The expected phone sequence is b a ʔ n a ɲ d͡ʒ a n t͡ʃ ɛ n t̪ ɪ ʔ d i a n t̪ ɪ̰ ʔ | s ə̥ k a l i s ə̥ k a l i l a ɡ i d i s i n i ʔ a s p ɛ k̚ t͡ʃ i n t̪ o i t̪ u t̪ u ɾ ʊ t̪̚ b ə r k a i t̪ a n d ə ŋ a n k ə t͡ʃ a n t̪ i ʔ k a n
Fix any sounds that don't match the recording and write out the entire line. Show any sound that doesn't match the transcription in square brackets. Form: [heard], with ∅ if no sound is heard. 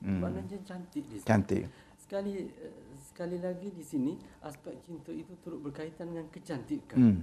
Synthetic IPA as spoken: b a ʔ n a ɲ d͡ʒ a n t͡ʃ [a] n t̪ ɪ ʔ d i a n t̪ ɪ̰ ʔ | s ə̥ k a l i s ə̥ k a l i l a ɡ i d i s i n i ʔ a s p ɛ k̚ t͡ʃ i n t̪ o i t̪ u t̪ u ɾ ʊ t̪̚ b ə r k a i t̪ a n d ə ŋ a n k ə t͡ʃ a n t̪ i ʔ k a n